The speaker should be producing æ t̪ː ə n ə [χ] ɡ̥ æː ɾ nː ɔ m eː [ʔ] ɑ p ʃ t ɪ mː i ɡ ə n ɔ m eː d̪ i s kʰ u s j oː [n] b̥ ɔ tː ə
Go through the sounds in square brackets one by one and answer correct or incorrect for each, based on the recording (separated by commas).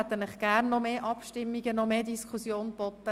correct, correct, correct